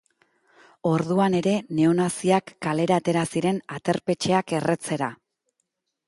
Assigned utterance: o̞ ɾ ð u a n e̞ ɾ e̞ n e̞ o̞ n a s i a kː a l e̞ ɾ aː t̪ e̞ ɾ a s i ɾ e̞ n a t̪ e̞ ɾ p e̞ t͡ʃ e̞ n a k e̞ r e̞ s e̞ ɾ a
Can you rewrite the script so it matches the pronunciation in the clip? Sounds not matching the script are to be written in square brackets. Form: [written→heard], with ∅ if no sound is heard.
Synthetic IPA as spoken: o̞ ɾ ð u a n e̞ ɾ e̞ n e̞ o̞ n a s i a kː a l e̞ ɾ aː t̪ e̞ ɾ a s i ɾ e̞ n a t̪ e̞ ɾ p e̞ t͡ʃ e̞ [n→∅] a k e̞ r e̞ [s→t͡s] e̞ ɾ a